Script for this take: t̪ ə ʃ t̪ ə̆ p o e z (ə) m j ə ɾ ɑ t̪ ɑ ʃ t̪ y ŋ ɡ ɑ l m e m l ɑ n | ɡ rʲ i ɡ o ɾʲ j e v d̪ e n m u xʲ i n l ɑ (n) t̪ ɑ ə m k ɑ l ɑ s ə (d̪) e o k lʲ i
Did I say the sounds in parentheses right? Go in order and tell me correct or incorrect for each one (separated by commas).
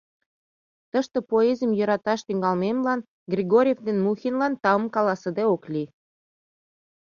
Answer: correct, correct, correct